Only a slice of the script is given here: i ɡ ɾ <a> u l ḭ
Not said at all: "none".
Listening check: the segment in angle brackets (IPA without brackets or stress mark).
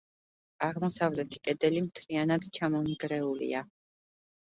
ɛ